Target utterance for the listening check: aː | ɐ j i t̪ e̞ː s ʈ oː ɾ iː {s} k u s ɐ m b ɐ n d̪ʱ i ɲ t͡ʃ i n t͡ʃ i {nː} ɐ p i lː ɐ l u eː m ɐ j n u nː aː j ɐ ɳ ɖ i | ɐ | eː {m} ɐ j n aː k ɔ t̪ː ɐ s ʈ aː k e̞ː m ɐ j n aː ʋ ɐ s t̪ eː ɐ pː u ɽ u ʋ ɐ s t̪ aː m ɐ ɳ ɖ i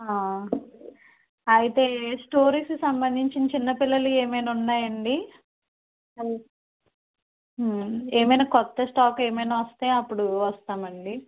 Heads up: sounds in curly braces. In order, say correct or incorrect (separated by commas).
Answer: correct, correct, correct